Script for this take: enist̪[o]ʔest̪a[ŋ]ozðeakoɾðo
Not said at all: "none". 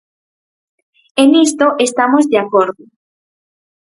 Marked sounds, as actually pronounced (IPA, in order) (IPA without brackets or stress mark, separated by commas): o, m